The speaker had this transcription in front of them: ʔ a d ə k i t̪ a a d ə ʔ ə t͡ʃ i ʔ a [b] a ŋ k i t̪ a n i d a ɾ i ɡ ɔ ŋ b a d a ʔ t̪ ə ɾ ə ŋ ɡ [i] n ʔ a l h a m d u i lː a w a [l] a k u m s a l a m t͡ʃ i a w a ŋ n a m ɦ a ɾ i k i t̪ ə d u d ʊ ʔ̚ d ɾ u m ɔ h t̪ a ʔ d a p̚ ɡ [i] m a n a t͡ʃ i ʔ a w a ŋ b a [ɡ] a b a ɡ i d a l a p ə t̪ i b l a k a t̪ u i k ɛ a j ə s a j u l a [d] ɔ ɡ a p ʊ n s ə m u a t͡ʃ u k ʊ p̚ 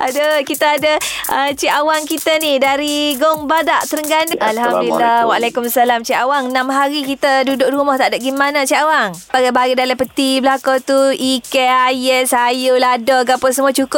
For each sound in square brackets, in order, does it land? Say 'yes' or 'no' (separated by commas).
no, no, yes, yes, yes, yes